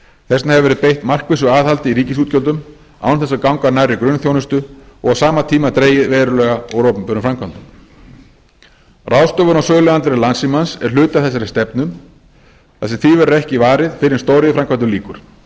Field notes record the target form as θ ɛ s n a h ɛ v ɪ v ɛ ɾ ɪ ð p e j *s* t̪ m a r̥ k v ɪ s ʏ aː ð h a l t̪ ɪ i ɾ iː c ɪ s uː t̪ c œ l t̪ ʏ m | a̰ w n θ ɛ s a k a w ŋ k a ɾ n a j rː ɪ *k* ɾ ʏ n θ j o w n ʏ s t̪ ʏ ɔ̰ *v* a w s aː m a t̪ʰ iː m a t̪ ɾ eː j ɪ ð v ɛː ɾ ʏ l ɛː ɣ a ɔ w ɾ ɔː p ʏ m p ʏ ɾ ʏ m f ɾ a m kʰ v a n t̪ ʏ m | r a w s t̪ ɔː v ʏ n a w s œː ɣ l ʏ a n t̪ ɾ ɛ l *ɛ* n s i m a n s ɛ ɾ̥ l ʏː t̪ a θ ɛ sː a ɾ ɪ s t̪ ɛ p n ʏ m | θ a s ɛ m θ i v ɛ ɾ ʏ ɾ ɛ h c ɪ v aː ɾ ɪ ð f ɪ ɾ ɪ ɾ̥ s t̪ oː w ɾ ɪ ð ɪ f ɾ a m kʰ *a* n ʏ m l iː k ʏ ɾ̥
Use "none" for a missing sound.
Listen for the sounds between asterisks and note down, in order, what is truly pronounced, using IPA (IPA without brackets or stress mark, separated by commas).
h, k, ɣ, a, a